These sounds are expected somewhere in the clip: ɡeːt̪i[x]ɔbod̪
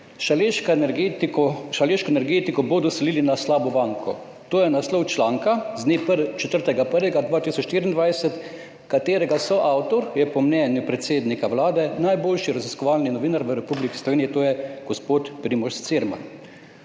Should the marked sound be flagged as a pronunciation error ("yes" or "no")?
yes